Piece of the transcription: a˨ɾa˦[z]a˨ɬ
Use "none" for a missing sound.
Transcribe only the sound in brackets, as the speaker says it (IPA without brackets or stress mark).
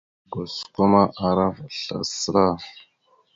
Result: v